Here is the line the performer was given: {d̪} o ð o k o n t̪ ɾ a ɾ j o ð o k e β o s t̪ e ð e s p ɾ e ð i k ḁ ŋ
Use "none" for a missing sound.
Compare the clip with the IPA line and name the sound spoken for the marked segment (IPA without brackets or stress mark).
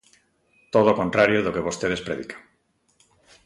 t̪